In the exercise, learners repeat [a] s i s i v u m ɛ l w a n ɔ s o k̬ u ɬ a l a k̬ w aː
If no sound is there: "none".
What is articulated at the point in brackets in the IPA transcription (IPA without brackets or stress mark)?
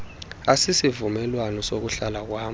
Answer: a